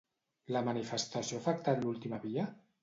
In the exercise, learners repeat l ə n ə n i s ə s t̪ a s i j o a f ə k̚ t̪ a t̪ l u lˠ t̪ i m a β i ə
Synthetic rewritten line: l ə m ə n i f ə s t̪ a s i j o a f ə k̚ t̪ a t̪ l u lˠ t̪ i m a β i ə